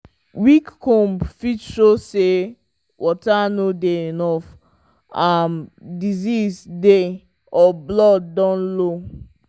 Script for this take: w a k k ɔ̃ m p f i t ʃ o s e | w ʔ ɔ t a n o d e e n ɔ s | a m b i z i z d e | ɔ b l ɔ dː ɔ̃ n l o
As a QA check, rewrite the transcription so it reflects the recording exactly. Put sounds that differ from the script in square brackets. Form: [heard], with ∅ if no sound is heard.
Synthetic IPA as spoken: w [i] k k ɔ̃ m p f i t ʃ o s e | w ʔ ɔ t a n o d e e n ɔ [f] | a m [d] i z i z d e | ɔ b l ɔ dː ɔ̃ n l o